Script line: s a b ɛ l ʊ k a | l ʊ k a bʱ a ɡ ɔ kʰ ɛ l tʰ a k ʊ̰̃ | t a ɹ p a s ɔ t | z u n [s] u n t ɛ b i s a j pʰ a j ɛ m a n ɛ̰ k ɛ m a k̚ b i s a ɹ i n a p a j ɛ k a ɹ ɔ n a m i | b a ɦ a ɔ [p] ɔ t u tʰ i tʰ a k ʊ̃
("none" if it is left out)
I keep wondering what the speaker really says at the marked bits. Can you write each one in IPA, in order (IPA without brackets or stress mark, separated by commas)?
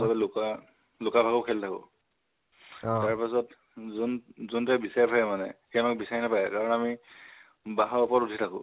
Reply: z, p